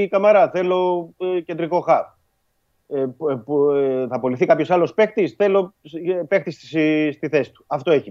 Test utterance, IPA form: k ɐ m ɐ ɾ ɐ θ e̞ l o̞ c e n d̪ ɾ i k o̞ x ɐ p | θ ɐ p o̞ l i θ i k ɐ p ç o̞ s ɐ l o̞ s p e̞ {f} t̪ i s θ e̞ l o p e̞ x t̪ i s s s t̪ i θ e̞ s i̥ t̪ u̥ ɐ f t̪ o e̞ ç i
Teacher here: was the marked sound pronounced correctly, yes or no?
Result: no